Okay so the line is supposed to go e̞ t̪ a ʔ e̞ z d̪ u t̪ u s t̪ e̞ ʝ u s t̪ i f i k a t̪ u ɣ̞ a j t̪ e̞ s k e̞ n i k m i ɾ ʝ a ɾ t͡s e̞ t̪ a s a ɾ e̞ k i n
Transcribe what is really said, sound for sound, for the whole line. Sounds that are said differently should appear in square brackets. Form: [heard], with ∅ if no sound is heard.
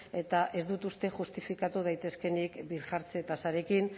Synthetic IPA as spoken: e̞ t̪ a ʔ e̞ z d̪ u t̪ u s t̪ e̞ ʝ u s t̪ i f i k a t̪ u [ð̞] a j t̪ e̞ s k e̞ n i k [b] i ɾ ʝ a ɾ t͡s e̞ t̪ a s a ɾ e̞ k i n